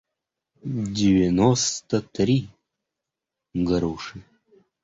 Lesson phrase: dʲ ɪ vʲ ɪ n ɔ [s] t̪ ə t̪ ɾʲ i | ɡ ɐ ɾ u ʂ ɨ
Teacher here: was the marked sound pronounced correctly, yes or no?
yes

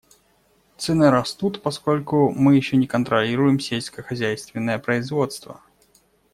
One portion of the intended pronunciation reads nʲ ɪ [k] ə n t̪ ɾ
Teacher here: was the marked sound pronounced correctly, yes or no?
yes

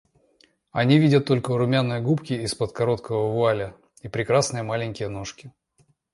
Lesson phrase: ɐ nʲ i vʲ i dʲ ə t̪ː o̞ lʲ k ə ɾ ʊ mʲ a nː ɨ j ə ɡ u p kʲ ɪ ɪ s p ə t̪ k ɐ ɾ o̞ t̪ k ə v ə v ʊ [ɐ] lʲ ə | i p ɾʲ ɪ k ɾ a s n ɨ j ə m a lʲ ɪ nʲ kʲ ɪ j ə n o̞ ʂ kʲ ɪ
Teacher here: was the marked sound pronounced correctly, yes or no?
no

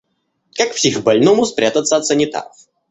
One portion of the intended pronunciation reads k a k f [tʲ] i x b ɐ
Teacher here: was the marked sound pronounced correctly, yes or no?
no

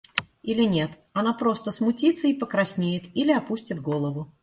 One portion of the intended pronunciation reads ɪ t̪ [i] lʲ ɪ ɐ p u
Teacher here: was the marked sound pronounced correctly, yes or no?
yes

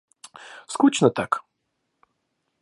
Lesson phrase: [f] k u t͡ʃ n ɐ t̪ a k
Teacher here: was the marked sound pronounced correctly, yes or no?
no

